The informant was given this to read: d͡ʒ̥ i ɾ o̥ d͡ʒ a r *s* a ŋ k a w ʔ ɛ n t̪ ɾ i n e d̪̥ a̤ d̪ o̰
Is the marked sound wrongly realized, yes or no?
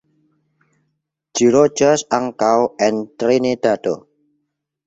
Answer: no